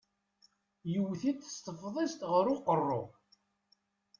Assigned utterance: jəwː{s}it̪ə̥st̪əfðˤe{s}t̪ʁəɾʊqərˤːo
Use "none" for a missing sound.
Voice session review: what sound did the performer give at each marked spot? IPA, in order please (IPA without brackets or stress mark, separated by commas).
θ, s